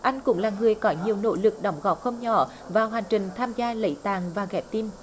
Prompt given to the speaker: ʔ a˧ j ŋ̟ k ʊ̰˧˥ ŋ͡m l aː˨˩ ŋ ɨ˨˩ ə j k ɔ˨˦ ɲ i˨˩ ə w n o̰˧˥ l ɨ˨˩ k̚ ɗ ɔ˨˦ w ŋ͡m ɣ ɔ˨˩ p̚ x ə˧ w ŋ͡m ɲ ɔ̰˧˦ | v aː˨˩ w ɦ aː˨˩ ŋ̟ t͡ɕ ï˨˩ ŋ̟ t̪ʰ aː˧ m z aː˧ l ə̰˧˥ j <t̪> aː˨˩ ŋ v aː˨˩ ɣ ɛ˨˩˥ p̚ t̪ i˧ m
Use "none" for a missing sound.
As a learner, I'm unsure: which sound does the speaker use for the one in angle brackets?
t̪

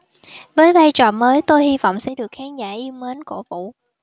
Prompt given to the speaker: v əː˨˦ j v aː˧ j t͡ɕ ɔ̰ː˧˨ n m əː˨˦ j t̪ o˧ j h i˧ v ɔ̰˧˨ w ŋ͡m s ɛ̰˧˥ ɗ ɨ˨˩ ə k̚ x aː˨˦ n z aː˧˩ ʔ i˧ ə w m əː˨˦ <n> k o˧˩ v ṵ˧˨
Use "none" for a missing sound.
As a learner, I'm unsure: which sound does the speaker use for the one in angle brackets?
n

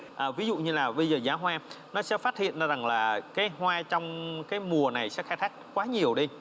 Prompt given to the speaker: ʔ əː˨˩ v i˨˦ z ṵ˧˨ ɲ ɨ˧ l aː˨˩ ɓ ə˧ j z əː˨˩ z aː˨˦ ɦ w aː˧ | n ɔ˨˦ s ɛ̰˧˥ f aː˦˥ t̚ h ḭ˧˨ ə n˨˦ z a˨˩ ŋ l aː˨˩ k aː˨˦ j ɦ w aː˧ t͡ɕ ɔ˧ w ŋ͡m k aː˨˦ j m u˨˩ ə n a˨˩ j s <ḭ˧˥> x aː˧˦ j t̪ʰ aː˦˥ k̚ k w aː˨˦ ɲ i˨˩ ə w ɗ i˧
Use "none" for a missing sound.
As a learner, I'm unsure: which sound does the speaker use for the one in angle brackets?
ɛ̰˧˥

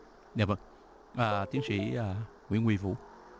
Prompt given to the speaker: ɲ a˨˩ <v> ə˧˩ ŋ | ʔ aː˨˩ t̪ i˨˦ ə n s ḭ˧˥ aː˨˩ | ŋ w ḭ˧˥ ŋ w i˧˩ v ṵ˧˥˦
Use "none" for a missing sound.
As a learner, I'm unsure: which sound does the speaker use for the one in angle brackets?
v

